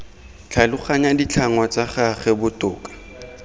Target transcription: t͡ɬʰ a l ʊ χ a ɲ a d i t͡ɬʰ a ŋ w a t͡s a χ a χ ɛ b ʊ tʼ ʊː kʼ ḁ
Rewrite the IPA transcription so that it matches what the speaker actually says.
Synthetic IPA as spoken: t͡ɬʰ a l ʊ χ a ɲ a d i t͡ɬʰ a ŋ w a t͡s a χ a χ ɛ b ʊ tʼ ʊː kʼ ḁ